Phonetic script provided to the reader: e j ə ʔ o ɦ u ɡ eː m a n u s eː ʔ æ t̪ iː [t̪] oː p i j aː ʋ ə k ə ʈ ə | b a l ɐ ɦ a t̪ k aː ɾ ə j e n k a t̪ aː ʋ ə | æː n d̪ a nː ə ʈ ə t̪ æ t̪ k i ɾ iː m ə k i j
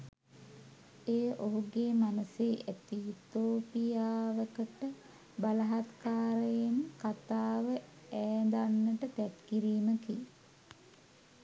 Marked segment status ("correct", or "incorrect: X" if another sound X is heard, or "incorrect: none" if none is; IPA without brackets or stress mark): correct